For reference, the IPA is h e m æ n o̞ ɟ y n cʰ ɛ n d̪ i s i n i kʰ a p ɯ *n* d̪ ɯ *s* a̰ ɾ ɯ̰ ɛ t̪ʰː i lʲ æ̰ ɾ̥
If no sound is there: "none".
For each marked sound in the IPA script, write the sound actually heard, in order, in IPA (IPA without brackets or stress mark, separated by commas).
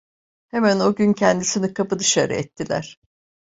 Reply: none, ʃ